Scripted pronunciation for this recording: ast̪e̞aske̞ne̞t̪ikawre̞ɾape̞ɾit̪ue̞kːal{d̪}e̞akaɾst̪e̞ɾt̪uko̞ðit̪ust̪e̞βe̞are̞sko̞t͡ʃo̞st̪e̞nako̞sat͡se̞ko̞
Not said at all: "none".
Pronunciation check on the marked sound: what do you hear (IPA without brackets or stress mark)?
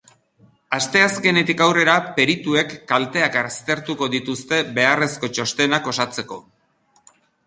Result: t̪